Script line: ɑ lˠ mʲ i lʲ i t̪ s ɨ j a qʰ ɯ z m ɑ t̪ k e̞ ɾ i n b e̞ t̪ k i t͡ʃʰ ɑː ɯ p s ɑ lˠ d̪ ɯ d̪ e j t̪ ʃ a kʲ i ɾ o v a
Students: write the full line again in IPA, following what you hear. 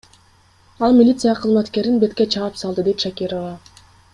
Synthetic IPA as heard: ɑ lˠ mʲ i lʲ i t̪ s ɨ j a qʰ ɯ z m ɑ t̪ k e̞ ɾ i n b e̞ t̪ k e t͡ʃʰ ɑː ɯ p s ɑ lˠ d̪ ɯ d̪ e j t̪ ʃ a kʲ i ɾ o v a